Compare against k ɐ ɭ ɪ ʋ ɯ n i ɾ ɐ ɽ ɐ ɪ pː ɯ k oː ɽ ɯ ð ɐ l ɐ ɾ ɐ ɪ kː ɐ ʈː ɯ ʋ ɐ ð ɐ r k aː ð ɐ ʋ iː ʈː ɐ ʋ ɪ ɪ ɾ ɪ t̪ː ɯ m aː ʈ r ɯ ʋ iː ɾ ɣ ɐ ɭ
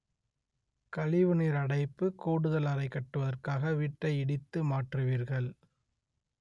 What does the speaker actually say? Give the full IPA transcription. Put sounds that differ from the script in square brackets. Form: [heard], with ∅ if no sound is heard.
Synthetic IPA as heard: k ɐ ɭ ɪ ʋ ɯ n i ɾ ɐ ɽ ɐ ɪ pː ɯ k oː ɽ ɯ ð ɐ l ɐ ɾ ɐ ɪ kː ɐ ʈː ɯ ʋ ɐ ð ɐ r k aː [ɣ] ɐ ʋ iː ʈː ɐ [∅] ɪ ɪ [ɽ] ɪ t̪ː ɯ m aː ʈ r ɯ ʋ iː ɾ ɣ ɐ ɭ